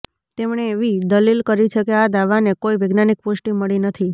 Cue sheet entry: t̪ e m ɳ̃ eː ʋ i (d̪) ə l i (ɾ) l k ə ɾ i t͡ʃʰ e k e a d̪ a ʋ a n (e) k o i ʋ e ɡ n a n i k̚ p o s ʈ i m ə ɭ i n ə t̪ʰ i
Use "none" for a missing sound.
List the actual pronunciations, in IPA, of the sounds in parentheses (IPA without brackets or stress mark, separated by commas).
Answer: d̪, none, e